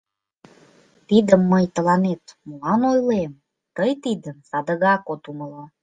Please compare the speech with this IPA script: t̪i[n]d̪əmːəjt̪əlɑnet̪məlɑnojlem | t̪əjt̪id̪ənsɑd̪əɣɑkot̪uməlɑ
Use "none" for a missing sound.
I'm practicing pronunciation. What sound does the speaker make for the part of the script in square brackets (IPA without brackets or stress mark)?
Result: none